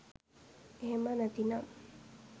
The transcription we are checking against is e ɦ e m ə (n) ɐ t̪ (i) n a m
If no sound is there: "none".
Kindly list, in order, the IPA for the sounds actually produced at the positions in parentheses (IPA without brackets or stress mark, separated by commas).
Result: n, i